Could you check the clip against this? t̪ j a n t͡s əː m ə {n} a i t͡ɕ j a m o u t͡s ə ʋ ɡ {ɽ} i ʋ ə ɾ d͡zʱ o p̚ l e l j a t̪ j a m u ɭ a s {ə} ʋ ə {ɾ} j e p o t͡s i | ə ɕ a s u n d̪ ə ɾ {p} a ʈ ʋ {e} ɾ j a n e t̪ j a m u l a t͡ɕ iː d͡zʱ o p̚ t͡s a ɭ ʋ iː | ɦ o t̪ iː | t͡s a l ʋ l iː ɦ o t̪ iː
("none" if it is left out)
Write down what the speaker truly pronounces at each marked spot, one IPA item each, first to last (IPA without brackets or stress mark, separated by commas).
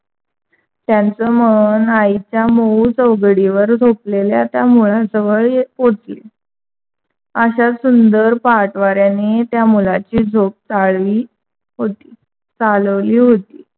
n, ɽ, ə, ɭ, p, a